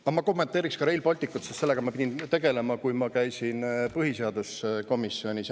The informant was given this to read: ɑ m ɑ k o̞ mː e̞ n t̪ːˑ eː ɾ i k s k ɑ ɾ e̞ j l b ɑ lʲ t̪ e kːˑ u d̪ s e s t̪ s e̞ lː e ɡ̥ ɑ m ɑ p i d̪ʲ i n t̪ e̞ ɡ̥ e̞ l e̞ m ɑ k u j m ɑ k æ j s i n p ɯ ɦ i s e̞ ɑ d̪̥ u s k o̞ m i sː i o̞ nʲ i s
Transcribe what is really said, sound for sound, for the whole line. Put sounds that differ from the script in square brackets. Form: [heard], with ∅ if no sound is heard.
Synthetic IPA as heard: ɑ m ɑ k o̞ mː e̞ n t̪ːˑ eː ɾ i k s k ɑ ɾ e̞ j l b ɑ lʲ t̪ [i] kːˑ u [t̪] s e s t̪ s e̞ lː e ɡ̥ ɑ m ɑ p i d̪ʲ i n t̪ e̞ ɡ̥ e̞ l e̞ m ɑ k u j m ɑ k æ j s i n p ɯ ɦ i s e̞ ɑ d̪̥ u s k o̞ m i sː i o̞ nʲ i s